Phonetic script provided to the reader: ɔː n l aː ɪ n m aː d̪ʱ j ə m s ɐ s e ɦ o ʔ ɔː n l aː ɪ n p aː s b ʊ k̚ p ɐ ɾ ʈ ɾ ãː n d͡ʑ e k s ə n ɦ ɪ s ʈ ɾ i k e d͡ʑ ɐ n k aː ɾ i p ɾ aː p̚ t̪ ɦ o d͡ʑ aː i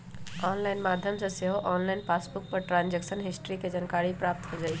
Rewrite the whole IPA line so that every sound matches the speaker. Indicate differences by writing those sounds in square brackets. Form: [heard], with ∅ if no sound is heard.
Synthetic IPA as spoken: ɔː n l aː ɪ n m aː d̪ʱ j ə m s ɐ s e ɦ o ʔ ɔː n l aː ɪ n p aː s b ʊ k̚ p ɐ ɾ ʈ ɾ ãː n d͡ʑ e k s ə n ɦ ɪ s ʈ ɾ i k e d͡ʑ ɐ n k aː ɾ i p ɾ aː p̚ t̪ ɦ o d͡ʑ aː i